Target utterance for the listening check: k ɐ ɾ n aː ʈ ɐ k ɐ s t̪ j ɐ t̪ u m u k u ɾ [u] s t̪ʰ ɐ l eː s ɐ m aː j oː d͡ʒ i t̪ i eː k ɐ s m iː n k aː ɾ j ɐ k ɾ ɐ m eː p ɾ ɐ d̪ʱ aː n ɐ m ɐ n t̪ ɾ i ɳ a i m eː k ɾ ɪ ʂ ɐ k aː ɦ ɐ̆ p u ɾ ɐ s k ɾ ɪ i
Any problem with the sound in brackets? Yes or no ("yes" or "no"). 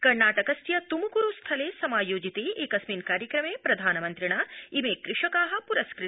no